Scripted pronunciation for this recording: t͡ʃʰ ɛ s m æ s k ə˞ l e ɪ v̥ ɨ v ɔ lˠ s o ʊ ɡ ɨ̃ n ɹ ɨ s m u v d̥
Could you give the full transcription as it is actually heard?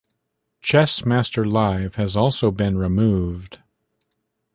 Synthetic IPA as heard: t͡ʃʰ ɛ s m æ s t ə˞ l a ɪ v̥ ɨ z ɔ lˠ s o ʊ b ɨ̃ n ɹ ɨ m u v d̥